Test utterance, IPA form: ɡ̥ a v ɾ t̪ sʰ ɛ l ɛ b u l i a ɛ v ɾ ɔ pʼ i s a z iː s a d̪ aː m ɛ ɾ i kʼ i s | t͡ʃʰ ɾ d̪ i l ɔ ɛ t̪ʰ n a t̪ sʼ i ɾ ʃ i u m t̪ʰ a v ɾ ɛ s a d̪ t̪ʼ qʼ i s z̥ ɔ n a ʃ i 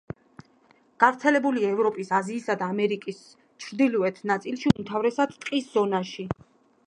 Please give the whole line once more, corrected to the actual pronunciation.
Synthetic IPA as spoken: ɡ̥ a v ɾ t̪ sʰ ɛ l ɛ b u l i a ɛ v ɾ ɔ pʼ i s a z iː s a d̪ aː m ɛ ɾ i kʼ i s | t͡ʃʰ ɾ d̪ i l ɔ ɛ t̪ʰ n a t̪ sʼ i l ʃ i u m t̪ʰ a v ɾ ɛ s a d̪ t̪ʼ qʼ i s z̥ ɔ n a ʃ i